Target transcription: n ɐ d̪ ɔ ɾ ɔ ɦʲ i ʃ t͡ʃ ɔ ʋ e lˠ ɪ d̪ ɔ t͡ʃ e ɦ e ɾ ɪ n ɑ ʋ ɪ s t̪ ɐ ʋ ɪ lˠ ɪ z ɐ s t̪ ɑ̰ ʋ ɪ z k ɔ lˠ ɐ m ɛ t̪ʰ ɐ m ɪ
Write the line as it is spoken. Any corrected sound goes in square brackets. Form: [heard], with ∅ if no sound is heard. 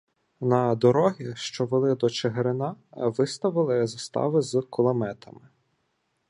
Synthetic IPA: n ɐ d̪ ɔ ɾ ɔ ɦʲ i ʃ t͡ʃ ɔ ʋ e lˠ ɪ d̪ ɔ t͡ʃ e ɦ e ɾ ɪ n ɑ ʋ ɪ s t̪ ɐ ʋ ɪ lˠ ɪ z ɐ s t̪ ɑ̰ ʋ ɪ z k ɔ lˠ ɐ m ɛ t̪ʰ ɐ m ɪ